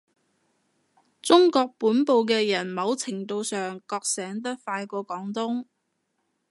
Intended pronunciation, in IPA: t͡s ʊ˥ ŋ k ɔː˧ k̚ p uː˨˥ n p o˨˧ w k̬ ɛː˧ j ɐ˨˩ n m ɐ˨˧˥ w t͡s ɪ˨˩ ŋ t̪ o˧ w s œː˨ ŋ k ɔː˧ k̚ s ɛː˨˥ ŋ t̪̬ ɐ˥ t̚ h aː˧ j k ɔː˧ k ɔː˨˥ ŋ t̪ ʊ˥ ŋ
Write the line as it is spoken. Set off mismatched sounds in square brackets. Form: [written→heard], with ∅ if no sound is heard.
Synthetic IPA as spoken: t͡s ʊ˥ ŋ k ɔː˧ k̚ p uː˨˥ n p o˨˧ w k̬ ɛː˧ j ɐ˨˩ n m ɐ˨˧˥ w [t͡s→t͡sʰ] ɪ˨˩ ŋ t̪ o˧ w s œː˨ ŋ k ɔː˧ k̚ s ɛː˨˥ ŋ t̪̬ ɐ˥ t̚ [h→f] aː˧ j k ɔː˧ k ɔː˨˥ ŋ t̪ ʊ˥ ŋ